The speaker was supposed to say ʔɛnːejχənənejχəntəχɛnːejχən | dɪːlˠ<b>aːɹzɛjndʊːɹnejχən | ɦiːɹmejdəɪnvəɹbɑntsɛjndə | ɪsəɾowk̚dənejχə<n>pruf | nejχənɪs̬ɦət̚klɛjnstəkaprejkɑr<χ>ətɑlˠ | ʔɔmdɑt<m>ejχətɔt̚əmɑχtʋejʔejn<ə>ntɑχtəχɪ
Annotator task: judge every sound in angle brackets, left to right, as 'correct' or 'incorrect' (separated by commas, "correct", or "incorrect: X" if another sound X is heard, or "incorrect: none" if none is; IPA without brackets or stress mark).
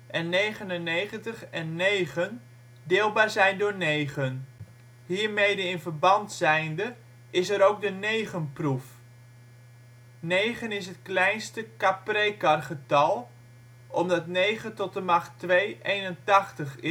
correct, correct, correct, incorrect: n, correct